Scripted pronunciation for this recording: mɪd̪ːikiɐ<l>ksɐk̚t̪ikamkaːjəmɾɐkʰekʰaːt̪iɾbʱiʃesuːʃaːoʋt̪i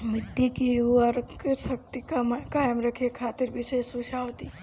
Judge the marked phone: incorrect: ɾ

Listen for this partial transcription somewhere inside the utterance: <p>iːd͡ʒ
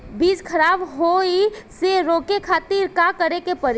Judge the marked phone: incorrect: b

